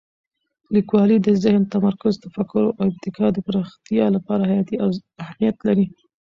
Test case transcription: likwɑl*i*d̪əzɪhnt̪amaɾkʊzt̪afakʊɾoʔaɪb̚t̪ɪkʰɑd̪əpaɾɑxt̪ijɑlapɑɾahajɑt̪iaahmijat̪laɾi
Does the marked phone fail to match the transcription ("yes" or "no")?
no